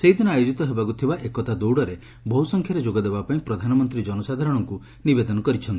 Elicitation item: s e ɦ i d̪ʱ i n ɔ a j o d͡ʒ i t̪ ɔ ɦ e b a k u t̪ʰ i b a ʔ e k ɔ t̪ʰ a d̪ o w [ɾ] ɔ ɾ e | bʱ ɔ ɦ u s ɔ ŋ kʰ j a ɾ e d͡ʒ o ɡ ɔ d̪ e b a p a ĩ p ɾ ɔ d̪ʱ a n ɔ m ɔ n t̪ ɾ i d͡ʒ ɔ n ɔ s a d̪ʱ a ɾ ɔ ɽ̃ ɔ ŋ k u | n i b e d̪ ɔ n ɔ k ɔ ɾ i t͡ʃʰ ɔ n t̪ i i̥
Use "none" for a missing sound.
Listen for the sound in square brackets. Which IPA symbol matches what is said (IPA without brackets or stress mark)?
ɽ